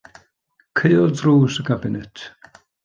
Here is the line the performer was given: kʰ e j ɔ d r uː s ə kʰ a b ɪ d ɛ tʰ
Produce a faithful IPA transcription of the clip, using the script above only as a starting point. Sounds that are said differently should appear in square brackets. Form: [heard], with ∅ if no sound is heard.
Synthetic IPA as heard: kʰ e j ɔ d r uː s ə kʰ a b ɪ [n] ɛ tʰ